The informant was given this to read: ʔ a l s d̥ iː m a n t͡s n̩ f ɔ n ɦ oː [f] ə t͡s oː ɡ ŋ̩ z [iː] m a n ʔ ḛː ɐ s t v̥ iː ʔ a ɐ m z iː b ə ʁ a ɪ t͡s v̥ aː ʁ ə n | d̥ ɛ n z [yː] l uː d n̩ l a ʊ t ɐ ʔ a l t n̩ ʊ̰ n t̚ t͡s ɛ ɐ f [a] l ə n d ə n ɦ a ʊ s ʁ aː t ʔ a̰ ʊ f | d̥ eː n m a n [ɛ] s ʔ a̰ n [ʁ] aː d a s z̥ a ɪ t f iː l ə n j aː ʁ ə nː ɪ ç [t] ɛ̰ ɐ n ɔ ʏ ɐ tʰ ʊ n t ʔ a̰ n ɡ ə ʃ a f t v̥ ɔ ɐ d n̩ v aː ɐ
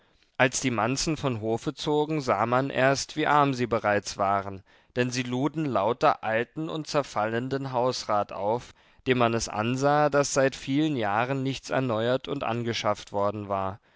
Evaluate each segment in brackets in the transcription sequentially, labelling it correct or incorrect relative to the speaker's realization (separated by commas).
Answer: correct, incorrect, incorrect, correct, correct, incorrect, incorrect